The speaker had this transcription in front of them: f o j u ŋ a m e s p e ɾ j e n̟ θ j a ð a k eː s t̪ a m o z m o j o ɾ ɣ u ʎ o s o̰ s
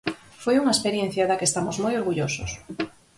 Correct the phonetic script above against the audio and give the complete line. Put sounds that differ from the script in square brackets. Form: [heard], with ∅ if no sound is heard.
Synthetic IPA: f o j u ŋ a [∅] e s p e ɾ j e n̟ θ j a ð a k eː s t̪ a m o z m o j o ɾ ɣ u ʎ o s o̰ s